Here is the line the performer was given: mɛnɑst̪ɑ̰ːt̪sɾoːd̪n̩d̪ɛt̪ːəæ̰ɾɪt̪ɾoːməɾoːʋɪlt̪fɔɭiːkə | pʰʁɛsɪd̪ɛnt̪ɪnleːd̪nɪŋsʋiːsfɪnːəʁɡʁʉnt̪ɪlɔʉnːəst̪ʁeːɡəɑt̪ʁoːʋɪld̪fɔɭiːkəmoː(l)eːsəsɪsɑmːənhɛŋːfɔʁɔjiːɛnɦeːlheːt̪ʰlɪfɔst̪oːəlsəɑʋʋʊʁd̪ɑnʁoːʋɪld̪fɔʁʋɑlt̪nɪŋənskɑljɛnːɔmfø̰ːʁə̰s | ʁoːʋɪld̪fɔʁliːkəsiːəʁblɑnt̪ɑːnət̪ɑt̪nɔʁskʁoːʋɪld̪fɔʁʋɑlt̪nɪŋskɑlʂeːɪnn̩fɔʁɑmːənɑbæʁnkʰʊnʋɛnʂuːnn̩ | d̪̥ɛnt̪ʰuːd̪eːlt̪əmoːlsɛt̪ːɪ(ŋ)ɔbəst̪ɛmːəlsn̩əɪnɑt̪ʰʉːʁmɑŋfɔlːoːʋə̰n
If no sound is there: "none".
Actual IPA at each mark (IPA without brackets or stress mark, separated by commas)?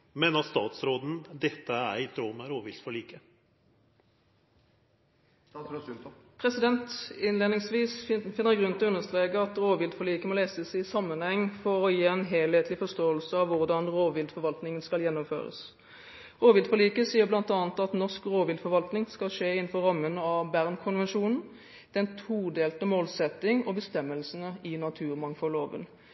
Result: l, ŋ